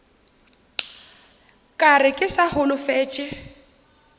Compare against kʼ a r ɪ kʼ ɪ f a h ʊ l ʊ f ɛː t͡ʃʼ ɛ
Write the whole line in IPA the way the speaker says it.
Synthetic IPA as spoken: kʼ a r ɪ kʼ ɪ s a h ʊ l ʊ f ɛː t͡ʃʼ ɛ